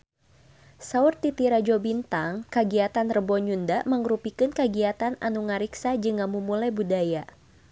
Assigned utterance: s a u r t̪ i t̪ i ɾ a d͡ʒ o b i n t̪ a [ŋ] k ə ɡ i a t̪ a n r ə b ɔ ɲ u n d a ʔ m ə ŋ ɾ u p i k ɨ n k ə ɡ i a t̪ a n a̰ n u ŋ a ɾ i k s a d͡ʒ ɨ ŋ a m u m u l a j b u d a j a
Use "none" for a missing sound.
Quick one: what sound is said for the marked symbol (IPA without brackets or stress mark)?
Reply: ŋ